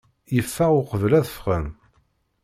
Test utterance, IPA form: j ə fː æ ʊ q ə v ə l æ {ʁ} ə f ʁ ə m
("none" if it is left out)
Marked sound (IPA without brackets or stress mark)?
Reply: ð